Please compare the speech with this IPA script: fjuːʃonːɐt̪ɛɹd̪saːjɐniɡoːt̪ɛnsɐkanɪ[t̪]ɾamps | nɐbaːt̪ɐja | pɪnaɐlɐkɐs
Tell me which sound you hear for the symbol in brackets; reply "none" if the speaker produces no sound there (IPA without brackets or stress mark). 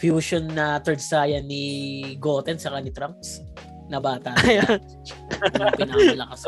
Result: t̪